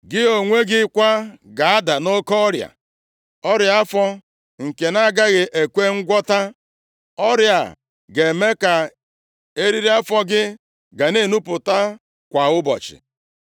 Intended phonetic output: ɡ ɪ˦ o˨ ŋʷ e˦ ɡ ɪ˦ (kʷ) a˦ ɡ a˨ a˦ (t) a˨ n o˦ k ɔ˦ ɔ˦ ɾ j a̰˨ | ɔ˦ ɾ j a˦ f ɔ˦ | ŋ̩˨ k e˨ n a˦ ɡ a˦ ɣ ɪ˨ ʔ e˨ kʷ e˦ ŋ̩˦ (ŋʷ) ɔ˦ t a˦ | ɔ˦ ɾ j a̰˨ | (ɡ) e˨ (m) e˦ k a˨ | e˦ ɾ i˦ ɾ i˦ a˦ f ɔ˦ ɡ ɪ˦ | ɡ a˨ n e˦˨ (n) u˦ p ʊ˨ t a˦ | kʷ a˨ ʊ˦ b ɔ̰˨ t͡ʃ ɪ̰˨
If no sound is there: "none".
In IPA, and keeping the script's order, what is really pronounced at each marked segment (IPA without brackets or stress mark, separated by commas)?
kʷ, d, ɡʷ, ɡ, m, n